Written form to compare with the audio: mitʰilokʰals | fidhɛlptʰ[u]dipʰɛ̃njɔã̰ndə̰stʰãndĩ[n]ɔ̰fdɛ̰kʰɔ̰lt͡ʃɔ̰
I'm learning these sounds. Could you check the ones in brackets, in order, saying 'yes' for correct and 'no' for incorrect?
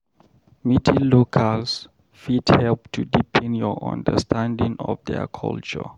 yes, no

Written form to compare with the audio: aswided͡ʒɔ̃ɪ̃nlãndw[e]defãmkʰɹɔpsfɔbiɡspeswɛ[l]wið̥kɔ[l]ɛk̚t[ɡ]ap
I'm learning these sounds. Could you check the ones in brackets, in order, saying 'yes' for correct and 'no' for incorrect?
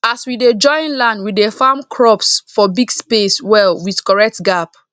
no, yes, no, yes

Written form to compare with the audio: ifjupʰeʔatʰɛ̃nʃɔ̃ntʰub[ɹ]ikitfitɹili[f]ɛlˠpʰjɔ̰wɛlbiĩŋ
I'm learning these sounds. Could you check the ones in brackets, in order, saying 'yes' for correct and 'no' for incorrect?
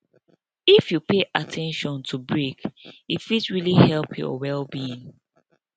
yes, no

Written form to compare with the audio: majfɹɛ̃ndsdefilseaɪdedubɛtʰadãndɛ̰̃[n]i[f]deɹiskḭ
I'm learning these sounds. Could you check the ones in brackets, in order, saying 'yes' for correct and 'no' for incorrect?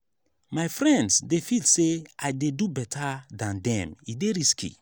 no, no

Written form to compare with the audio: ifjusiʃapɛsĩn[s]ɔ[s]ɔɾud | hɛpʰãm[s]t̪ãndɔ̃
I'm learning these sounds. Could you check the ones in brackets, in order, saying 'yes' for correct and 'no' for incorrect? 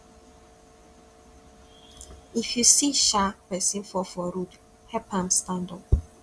no, no, yes

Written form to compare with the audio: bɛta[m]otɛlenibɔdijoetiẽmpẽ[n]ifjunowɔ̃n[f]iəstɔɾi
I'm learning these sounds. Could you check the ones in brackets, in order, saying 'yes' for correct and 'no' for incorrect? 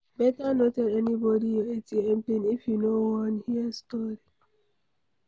no, yes, no

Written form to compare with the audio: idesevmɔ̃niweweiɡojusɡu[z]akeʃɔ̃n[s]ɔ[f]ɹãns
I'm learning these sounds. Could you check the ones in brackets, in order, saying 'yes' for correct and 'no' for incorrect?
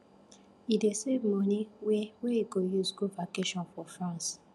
no, no, yes

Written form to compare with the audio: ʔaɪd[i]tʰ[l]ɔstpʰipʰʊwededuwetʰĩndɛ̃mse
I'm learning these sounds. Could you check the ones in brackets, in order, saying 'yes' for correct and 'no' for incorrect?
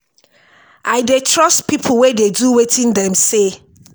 no, no

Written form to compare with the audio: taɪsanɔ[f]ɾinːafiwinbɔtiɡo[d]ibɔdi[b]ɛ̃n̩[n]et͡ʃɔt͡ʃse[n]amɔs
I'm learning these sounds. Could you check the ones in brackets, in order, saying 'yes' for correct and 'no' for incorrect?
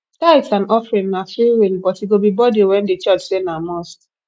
yes, no, no, no, yes

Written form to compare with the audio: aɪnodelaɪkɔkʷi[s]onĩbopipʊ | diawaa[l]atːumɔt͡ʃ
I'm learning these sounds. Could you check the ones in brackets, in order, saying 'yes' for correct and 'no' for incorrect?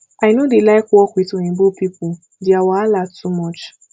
no, yes

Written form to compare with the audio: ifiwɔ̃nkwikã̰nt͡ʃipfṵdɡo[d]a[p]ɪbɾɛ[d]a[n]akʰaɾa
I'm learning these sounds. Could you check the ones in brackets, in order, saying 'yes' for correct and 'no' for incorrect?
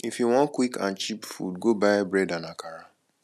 no, no, yes, yes

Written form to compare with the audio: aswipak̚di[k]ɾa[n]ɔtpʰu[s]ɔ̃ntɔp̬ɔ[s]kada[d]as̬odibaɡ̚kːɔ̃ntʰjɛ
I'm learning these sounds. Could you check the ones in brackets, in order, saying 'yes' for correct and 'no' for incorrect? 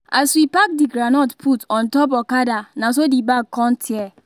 no, yes, no, no, no

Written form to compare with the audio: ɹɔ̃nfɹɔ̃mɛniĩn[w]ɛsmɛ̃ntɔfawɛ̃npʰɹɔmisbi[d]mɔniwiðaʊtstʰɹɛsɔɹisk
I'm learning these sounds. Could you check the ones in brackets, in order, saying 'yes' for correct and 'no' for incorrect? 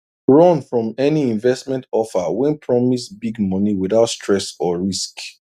no, no

